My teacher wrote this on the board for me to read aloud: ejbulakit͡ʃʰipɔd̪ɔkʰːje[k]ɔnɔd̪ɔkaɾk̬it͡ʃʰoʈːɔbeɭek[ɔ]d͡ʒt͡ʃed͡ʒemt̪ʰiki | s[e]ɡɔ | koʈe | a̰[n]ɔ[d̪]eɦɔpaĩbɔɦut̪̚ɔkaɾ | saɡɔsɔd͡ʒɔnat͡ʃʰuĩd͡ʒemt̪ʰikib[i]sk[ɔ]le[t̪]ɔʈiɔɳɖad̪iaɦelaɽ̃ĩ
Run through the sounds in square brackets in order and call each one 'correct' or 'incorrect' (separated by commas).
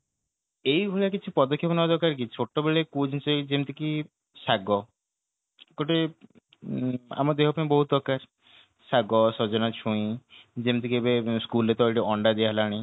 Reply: incorrect, incorrect, incorrect, incorrect, correct, incorrect, incorrect, correct